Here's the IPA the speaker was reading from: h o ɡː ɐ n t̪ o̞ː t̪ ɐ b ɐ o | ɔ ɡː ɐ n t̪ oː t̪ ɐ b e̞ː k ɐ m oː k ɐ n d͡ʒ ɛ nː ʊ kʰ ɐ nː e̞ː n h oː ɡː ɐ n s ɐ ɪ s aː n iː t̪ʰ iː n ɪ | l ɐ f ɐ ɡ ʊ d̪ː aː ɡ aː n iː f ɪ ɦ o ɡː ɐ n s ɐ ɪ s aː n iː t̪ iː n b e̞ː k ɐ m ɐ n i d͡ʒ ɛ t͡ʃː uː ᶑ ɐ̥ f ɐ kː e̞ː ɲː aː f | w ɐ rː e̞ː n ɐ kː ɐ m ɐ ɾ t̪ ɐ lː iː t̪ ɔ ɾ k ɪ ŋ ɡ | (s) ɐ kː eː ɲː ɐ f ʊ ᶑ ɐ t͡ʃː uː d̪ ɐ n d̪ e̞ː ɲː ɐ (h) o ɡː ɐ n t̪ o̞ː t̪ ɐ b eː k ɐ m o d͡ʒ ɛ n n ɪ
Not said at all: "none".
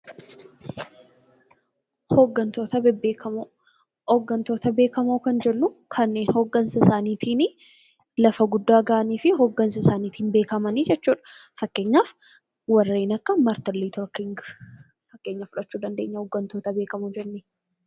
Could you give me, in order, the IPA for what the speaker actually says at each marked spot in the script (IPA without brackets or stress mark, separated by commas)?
f, h